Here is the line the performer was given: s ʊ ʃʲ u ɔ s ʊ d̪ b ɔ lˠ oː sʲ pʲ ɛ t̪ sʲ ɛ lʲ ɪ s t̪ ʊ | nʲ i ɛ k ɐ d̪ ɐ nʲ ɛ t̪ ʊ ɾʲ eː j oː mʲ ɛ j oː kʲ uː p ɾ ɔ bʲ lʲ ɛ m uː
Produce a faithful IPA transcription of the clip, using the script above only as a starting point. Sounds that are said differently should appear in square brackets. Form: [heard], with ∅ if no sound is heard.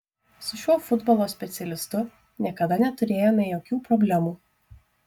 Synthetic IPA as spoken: s ʊ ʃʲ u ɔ [f] ʊ d̪ b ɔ lˠ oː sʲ pʲ ɛ t̪ sʲ ɛ lʲ ɪ s t̪ ʊ | nʲ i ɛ k ɐ d̪ ɐ nʲ ɛ t̪ ʊ ɾʲ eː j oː mʲ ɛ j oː kʲ uː p ɾ ɔ bʲ lʲ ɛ m uː